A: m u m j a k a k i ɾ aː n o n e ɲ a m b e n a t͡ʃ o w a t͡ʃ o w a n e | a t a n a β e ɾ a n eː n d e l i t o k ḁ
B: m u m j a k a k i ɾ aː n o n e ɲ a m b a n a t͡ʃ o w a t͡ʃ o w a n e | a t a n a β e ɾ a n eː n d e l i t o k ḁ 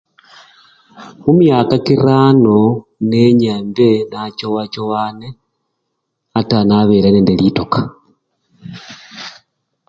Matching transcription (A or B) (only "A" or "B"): A